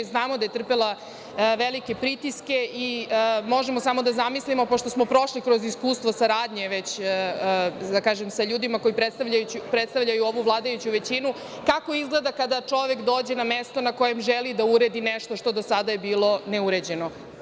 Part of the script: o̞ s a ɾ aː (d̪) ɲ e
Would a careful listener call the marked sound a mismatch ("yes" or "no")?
no